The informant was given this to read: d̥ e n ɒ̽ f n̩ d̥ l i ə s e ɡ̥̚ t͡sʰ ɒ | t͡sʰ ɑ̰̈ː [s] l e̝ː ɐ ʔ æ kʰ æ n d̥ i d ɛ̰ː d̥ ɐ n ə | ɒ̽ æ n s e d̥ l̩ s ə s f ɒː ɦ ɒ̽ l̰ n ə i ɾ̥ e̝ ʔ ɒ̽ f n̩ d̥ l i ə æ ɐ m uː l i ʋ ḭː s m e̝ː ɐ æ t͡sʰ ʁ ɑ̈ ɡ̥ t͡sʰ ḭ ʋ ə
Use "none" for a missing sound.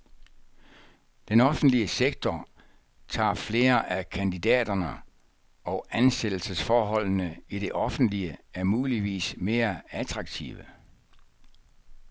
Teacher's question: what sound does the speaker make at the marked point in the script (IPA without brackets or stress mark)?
f